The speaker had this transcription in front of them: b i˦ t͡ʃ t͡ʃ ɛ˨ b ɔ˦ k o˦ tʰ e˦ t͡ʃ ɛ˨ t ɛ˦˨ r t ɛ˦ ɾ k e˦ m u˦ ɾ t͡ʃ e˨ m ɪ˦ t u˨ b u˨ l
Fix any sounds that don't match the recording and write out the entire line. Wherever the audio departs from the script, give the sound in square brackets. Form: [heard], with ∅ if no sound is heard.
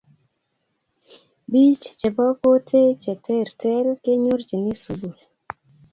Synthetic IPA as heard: b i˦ t͡ʃ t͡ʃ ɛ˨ b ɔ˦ k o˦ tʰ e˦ t͡ʃ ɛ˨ t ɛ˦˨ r t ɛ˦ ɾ k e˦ [ɲ] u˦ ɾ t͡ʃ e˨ [n] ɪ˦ [s] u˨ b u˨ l